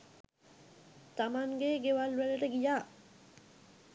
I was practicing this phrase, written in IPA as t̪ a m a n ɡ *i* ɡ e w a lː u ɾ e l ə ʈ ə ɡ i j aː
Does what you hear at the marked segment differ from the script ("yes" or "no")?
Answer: yes